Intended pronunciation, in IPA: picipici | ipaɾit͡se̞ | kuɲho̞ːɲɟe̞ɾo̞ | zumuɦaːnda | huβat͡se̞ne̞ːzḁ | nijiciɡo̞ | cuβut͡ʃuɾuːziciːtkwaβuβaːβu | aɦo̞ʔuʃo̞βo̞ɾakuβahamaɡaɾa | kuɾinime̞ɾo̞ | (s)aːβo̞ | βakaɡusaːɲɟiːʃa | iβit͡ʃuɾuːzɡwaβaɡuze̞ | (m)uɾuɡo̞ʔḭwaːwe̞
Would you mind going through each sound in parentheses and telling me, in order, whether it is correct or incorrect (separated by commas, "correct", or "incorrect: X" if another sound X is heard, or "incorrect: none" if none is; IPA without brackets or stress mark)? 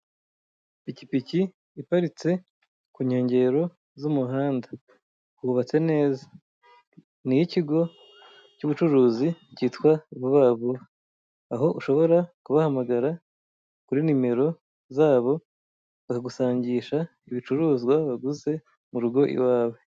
incorrect: z, correct